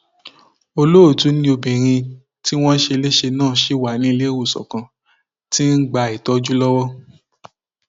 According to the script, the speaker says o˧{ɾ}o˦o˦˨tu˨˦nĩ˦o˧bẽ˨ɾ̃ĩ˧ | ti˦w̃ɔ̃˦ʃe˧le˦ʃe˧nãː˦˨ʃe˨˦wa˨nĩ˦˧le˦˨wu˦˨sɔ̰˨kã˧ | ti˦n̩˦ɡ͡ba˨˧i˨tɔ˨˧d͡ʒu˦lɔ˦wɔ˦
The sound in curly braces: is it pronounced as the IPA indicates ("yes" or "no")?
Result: no